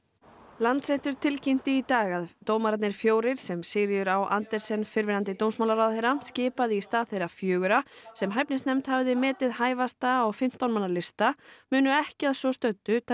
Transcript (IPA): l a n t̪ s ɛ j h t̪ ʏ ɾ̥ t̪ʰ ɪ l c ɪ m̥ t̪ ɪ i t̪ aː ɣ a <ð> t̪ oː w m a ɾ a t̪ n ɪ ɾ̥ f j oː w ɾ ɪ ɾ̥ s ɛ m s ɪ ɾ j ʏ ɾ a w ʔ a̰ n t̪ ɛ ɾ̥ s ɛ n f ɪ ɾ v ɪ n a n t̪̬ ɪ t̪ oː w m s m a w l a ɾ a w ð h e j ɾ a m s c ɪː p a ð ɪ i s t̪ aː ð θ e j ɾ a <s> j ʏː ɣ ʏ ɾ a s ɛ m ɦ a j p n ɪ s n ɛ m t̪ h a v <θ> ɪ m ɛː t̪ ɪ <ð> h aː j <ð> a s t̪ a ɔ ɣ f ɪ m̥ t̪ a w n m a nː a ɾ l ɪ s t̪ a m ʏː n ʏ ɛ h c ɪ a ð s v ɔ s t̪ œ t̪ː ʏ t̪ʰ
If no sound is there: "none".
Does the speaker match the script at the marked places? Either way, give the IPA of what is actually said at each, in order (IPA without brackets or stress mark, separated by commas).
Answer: ð, f, ð, ð, v